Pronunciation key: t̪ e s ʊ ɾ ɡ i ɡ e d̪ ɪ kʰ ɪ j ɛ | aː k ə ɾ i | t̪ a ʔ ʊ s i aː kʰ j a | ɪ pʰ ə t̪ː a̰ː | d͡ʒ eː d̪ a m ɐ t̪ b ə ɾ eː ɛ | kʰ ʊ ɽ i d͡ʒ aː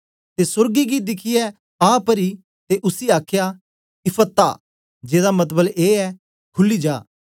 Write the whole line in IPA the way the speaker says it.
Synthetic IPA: t̪ e s ʊ ɾ ɡ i ɡ i d̪ ɪ kʰ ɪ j ɛ | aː p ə ɾ i | t̪ e ʔ ʊ s i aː kʰ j a | ɪ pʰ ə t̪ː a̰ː | d͡ʒ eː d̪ a m ɐ t̪ b ə l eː ɛ | kʰ ʊ l i d͡ʒ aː